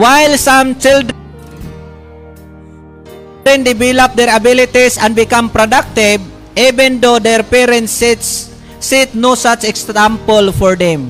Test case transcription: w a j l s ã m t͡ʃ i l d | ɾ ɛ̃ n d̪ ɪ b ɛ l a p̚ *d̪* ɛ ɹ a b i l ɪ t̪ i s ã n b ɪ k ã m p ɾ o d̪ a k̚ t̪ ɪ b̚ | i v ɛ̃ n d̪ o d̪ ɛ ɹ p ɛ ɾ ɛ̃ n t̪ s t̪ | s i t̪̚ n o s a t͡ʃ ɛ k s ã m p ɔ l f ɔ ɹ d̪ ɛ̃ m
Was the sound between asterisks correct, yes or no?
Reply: yes